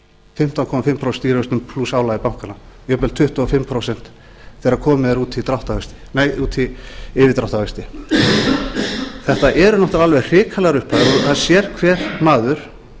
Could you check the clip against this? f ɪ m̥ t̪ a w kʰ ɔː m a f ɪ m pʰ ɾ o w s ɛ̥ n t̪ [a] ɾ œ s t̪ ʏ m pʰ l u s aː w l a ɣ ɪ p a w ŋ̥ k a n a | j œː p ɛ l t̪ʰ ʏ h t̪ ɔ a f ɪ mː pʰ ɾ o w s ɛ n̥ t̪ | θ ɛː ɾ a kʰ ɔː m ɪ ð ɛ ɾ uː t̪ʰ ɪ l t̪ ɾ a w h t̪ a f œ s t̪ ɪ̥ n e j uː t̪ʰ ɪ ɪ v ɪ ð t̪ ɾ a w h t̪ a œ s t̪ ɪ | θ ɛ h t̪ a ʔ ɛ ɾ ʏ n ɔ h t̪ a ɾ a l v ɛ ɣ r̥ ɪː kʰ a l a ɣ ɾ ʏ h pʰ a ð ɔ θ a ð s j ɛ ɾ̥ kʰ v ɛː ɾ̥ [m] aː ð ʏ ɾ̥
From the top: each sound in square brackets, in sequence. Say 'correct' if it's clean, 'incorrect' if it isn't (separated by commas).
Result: incorrect, correct